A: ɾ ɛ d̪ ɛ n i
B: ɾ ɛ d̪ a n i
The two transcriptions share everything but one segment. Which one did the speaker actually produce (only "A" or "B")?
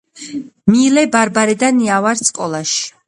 B